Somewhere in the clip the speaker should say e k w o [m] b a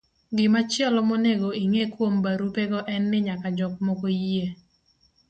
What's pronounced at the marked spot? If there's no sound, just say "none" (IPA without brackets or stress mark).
m